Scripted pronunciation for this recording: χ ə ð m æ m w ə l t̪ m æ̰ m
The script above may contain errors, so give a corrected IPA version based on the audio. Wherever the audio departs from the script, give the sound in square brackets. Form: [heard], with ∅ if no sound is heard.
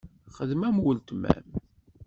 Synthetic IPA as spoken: χ ə ð m æ m w ə l t̪ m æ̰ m